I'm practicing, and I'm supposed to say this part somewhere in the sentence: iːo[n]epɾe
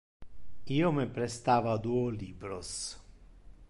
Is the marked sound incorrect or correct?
incorrect: m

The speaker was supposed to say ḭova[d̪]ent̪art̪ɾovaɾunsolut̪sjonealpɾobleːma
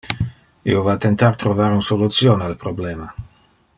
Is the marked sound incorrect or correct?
incorrect: t̪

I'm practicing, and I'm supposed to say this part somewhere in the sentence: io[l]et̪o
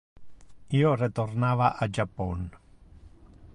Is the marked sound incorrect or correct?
incorrect: r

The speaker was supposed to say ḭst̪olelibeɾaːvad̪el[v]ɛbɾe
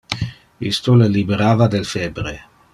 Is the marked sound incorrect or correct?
incorrect: f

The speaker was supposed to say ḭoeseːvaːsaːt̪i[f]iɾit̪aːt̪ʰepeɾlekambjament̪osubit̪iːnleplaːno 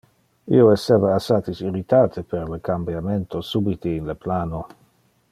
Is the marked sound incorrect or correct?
incorrect: s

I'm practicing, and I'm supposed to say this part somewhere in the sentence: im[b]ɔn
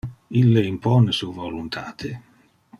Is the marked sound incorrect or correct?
incorrect: p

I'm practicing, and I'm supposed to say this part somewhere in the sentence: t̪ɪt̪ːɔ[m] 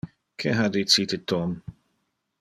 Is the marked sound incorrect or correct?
correct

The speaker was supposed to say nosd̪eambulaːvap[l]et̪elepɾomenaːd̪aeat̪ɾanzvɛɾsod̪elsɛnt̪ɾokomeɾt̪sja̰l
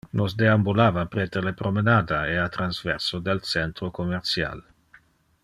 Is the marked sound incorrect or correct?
incorrect: ɾ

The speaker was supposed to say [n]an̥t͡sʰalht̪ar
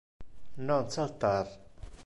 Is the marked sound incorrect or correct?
correct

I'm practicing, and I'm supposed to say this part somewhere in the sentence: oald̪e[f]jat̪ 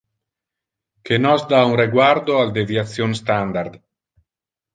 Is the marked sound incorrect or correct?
incorrect: v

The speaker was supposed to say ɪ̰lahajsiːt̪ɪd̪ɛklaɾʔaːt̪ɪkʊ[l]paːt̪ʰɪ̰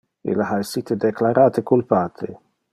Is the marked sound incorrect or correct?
correct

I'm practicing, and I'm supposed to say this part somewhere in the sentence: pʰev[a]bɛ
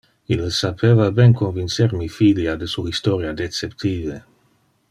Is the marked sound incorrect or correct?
correct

